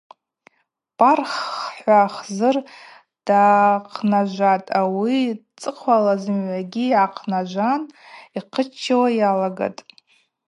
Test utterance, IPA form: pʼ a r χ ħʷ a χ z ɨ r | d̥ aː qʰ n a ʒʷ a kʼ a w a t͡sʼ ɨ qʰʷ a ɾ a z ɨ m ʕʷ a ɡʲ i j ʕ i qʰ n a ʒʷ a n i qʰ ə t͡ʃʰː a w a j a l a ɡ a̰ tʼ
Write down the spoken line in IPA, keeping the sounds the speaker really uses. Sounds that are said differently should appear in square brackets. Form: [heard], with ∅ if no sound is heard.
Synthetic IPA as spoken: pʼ a r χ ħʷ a χ z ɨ r | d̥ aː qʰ n a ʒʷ a [tʼ] a w [i] t͡sʼ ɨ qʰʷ a [l] a z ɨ m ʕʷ a ɡʲ i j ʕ [a] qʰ n a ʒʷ a n i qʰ ə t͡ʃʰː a w a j a l a ɡ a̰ tʼ